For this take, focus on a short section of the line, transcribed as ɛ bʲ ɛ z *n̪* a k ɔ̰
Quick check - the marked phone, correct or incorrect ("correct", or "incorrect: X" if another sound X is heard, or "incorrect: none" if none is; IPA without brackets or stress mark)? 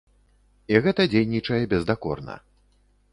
incorrect: d̪